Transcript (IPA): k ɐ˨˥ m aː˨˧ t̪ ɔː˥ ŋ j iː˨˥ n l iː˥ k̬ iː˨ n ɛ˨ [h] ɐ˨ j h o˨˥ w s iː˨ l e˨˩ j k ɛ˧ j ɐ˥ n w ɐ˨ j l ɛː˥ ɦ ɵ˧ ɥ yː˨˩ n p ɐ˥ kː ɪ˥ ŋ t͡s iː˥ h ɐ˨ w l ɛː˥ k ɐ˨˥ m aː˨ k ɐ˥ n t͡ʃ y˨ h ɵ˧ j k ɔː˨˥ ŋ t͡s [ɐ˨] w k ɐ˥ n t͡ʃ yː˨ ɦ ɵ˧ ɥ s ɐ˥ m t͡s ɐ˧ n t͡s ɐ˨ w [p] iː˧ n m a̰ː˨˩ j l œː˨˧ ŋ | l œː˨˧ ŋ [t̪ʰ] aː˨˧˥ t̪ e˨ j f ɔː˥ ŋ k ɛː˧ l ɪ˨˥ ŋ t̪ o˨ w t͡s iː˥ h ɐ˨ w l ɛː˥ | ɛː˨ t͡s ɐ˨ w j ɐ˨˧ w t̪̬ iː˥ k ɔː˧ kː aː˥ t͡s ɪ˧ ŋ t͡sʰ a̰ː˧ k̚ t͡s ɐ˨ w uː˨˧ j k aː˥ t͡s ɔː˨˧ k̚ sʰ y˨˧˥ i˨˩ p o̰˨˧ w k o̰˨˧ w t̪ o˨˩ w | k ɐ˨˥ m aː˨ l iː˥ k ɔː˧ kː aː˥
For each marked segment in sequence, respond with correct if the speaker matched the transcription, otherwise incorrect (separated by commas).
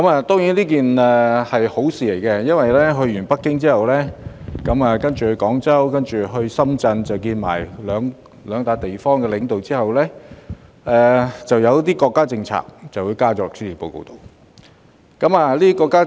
correct, incorrect, incorrect, incorrect